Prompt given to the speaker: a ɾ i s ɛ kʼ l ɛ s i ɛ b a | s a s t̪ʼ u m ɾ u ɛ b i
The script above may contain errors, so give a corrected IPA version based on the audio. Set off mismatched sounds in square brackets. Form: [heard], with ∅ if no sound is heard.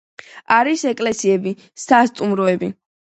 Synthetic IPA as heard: a ɾ i s ɛ kʼ l ɛ s i ɛ b [i] | s a s t̪ʼ u m ɾ [ɔ] ɛ b i

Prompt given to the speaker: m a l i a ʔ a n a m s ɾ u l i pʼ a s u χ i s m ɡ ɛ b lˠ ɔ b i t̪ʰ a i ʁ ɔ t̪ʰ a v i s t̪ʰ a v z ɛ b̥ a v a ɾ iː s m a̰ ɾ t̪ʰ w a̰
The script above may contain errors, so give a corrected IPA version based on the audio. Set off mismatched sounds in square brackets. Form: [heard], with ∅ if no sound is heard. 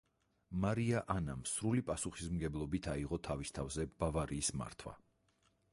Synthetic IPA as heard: m a [ɾ] i a ʔ a n a m s ɾ u l i pʼ a s u χ i s m ɡ ɛ b lˠ ɔ b i t̪ʰ a i ʁ ɔ t̪ʰ a v i s t̪ʰ a v z ɛ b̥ a v a ɾ iː s m a̰ ɾ t̪ʰ w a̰

